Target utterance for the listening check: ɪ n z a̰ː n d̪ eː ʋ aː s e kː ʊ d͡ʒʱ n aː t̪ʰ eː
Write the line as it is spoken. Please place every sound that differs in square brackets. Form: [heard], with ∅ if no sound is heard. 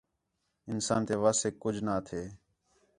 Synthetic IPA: ɪ n [s] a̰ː n [t̪] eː ʋ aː s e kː ʊ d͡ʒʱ n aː t̪ʰ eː